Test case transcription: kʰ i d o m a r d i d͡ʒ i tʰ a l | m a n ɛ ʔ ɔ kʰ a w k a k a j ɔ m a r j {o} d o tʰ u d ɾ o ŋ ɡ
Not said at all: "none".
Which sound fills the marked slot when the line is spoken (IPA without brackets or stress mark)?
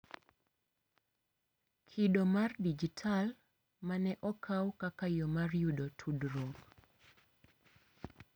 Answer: u